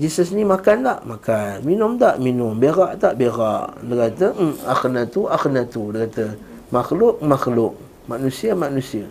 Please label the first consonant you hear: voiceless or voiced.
voiced